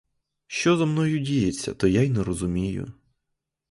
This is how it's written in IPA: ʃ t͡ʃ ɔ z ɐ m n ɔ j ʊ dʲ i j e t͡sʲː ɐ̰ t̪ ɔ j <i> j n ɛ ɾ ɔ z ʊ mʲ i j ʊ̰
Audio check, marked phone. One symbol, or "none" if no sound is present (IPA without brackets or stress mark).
a